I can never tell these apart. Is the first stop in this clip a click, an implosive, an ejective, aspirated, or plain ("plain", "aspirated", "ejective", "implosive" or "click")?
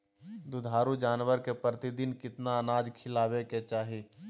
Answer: plain